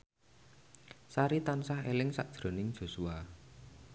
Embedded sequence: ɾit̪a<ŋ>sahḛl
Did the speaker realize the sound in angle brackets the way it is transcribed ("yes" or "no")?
no